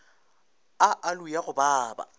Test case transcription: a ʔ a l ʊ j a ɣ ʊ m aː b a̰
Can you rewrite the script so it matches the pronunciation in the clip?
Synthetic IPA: a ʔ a l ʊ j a ɣ ʊ b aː b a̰